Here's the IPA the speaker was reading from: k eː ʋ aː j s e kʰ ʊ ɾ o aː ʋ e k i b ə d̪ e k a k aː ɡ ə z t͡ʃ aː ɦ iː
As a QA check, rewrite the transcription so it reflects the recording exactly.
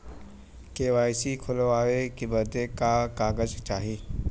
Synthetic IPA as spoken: k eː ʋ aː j s i kʰ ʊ l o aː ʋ e k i b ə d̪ e k a k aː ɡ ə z t͡ʃ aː ɦ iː